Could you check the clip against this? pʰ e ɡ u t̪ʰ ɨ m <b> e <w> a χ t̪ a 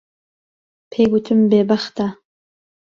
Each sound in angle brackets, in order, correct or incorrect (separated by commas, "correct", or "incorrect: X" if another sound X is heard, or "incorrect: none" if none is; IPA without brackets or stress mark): correct, incorrect: b